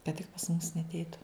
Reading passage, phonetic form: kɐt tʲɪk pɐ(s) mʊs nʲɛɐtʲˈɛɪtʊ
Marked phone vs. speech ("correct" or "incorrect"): correct